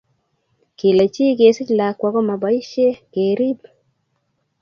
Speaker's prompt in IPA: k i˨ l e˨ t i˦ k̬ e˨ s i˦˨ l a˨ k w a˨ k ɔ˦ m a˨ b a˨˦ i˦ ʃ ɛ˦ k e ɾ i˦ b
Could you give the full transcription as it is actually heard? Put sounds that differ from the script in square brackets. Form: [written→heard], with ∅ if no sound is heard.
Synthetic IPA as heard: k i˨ l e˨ [t→t͡ʃ] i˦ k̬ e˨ s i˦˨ l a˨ k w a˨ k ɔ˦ m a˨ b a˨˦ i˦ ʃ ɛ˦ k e ɾ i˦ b